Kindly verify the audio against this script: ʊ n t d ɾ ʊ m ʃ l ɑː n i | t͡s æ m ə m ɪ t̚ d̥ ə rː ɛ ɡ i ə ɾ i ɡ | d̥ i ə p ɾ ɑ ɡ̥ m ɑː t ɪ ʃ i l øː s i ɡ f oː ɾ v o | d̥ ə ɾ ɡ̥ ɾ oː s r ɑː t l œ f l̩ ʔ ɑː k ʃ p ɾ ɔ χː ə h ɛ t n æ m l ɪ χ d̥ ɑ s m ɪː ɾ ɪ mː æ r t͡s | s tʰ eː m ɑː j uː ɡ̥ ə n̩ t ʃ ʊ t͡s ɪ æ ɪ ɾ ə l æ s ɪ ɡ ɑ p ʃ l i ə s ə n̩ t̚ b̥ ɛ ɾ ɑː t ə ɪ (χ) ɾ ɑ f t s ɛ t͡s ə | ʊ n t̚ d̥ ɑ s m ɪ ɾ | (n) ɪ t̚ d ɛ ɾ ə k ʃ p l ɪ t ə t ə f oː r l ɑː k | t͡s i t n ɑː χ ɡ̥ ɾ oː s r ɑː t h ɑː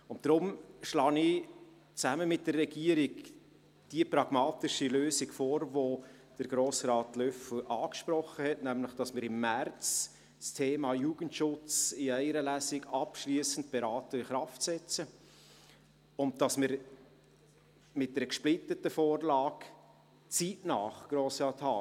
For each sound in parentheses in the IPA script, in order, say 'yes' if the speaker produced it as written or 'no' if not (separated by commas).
yes, no